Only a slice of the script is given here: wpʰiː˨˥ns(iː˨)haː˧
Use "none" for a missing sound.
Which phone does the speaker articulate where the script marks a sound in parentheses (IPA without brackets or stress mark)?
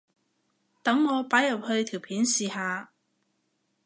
iː˨